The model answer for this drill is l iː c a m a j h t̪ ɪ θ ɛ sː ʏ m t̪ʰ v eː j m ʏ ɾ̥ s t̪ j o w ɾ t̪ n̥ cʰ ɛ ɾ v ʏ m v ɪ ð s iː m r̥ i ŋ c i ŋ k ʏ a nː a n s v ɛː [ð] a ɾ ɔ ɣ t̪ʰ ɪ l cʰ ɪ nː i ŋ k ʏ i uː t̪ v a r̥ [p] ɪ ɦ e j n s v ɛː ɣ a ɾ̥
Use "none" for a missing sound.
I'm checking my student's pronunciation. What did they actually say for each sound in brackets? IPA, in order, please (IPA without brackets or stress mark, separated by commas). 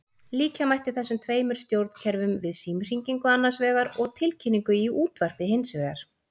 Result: ɣ, p